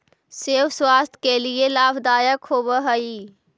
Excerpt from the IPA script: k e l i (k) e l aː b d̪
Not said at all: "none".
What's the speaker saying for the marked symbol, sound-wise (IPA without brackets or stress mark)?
none